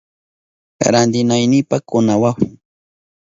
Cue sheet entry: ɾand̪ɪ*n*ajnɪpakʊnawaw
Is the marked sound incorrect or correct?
correct